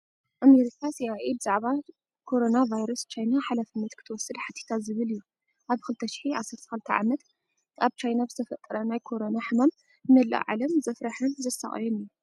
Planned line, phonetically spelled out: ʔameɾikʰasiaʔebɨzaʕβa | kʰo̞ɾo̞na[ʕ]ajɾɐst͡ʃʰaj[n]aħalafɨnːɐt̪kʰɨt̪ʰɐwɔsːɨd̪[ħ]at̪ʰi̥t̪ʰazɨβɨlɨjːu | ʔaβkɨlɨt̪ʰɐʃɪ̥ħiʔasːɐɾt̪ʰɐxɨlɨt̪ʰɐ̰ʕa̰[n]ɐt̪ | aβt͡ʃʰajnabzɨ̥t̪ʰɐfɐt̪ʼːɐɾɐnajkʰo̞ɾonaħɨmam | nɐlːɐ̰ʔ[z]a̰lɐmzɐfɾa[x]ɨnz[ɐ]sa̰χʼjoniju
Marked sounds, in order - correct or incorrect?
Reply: incorrect, correct, correct, incorrect, incorrect, incorrect, correct

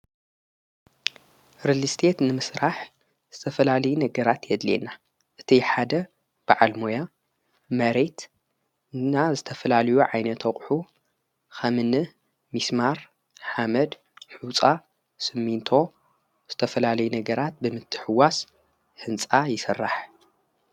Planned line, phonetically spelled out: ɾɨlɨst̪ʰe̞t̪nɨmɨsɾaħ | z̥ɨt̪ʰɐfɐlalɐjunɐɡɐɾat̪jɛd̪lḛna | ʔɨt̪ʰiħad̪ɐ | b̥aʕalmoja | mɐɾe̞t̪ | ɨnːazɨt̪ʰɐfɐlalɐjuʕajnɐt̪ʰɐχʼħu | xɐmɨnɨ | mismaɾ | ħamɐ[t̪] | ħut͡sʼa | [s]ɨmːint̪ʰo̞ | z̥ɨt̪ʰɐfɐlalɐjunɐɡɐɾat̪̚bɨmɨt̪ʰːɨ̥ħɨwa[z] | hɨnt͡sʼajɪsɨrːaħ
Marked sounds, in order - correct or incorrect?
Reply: incorrect, correct, incorrect

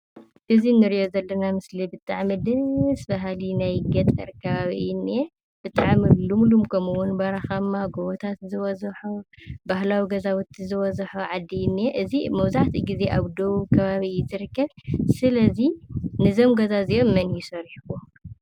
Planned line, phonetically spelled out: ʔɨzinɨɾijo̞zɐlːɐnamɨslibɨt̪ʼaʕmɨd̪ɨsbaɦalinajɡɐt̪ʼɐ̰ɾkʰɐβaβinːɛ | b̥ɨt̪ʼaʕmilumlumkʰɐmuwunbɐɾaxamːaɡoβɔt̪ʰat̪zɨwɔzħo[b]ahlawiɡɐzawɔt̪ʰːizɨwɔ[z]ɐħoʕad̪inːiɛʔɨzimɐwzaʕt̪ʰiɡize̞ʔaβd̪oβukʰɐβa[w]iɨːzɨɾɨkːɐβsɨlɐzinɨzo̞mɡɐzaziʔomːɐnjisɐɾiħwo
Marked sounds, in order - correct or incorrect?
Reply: correct, correct, incorrect

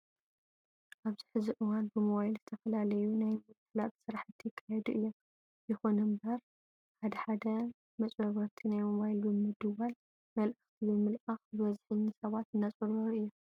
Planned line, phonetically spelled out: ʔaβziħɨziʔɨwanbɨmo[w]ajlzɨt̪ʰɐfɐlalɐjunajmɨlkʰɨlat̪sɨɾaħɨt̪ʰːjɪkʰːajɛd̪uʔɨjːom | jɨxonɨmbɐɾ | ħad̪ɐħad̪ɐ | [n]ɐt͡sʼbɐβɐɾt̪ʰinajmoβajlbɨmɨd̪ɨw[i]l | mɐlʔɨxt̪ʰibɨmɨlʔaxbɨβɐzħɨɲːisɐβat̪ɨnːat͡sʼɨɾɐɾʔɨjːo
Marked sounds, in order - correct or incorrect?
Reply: incorrect, incorrect, incorrect

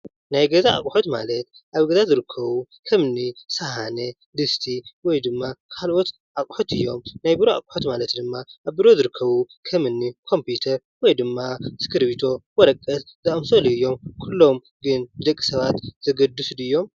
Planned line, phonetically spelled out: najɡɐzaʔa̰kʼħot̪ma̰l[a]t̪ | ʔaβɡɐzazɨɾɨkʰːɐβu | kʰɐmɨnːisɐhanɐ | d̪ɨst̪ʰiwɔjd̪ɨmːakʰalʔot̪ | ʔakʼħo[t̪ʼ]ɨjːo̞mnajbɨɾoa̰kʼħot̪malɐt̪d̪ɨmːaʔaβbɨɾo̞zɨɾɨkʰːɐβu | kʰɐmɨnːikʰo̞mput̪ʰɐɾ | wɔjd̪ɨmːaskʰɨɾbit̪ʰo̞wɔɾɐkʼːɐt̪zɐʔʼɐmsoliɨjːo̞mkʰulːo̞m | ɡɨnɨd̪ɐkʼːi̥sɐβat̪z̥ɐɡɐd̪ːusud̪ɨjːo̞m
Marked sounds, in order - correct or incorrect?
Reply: incorrect, incorrect

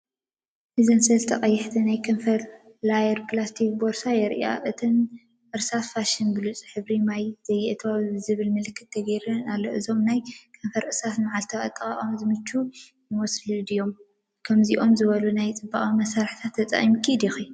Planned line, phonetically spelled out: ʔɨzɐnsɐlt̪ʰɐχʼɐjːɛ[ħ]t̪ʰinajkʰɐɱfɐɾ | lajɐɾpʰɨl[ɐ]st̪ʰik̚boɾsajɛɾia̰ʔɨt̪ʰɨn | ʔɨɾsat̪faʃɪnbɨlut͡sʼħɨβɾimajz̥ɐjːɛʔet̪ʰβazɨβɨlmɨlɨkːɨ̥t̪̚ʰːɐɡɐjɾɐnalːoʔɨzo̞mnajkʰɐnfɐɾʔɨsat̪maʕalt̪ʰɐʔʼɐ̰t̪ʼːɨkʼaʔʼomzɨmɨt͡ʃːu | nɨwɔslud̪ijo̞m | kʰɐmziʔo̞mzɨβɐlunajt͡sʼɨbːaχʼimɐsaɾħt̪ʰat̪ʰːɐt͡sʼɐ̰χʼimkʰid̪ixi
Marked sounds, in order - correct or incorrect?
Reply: correct, incorrect

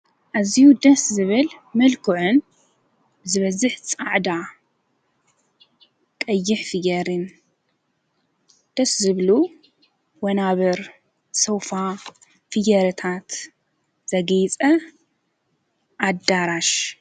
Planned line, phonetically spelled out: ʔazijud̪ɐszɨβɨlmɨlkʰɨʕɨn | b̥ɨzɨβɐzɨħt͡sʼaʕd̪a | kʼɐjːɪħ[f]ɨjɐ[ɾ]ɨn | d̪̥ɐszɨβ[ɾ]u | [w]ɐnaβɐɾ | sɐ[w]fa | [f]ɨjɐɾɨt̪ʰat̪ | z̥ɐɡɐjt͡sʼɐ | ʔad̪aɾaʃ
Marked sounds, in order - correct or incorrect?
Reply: correct, correct, incorrect, correct, correct, correct

